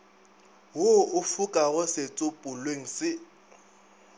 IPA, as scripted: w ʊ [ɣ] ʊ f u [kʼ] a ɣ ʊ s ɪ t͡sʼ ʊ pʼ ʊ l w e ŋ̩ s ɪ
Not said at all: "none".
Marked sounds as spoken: none, kʼ

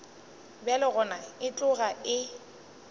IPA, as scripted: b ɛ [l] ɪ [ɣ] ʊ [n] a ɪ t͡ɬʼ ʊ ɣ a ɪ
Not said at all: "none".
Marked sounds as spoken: l, ɣ, n

